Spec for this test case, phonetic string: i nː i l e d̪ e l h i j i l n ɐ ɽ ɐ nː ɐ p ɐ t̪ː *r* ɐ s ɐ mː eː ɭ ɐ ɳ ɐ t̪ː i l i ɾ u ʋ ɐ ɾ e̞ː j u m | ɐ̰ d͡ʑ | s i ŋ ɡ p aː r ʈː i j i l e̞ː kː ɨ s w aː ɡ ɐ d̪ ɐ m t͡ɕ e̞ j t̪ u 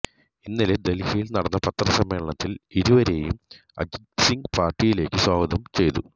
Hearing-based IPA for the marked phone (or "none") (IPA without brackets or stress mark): r